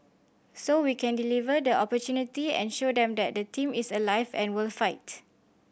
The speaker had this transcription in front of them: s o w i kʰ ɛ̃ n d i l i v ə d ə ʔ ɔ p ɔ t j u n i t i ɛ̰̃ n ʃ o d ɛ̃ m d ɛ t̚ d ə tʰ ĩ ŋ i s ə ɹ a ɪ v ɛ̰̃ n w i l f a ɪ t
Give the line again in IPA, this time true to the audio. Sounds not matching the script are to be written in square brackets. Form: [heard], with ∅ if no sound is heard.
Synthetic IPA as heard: s o w i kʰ ɛ̃ n d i l i v ə d ə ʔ ɔ p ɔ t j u n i t i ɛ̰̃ n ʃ o d ɛ̃ m d ɛ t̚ d ə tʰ ĩ [m] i s ə [l] a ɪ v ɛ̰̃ n w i l f a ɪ t